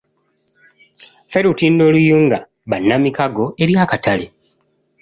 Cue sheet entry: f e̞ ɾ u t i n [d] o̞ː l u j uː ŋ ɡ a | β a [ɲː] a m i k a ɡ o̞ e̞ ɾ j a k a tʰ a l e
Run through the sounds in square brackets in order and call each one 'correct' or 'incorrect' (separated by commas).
correct, incorrect